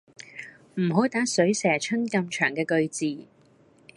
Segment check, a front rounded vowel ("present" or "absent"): present